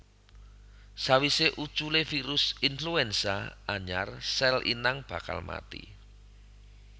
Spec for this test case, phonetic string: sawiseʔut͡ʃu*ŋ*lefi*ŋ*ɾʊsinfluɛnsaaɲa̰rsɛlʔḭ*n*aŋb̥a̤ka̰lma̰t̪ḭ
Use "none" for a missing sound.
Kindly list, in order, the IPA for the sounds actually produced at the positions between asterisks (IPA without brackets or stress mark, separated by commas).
none, none, n